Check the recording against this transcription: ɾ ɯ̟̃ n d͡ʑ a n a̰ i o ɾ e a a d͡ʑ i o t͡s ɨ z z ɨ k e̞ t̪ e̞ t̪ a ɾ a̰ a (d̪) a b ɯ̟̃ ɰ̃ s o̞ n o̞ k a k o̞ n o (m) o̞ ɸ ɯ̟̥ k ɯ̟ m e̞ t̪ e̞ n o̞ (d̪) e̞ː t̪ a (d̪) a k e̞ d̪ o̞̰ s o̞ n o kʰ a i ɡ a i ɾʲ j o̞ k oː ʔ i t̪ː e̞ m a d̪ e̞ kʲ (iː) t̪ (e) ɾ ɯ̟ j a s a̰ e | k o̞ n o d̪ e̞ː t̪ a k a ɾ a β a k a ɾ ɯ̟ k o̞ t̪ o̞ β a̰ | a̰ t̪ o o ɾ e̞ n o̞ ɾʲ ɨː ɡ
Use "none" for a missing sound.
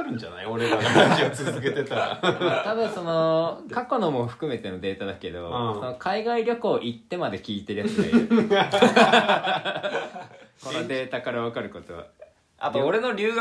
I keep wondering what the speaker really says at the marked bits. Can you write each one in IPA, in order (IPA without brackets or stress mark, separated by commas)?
t̪, m, d̪, d̪, iː, e